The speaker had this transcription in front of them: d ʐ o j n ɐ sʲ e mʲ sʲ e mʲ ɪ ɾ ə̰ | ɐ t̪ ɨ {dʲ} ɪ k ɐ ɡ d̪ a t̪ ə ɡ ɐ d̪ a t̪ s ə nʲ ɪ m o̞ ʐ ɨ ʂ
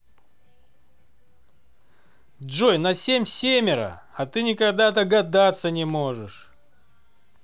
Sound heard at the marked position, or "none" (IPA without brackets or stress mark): nʲ